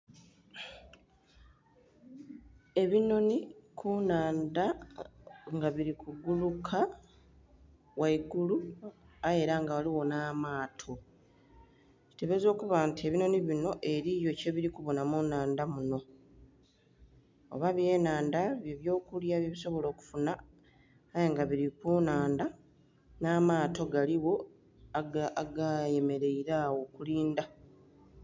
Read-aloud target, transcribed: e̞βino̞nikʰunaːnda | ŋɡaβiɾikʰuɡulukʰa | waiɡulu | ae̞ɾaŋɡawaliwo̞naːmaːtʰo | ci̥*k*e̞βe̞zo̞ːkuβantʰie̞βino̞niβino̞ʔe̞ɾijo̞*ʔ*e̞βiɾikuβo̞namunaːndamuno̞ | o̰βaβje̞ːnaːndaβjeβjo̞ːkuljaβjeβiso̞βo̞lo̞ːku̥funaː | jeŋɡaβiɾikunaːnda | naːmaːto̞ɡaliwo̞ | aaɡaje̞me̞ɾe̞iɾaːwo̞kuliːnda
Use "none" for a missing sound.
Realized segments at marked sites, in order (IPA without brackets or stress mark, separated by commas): t, c